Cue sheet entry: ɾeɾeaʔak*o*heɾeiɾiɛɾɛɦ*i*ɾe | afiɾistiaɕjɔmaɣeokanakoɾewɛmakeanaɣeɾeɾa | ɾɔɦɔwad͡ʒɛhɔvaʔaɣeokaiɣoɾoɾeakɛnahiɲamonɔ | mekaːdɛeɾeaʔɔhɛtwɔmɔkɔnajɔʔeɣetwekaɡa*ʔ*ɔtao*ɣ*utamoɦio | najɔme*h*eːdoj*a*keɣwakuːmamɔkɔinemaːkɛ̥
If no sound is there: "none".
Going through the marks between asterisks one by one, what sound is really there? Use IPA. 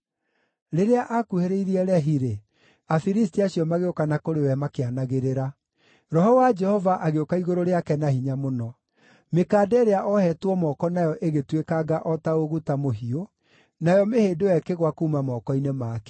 u, i, ʔ, ɣ, h, ɛ

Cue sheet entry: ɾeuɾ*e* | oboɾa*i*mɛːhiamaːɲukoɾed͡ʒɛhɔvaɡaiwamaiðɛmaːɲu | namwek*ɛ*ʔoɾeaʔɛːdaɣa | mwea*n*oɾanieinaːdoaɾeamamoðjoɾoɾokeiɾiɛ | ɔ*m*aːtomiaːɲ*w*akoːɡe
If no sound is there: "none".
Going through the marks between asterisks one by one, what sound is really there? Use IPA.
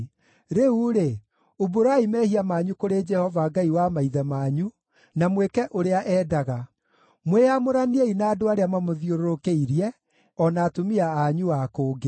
e, i, ɛ, m, n, u

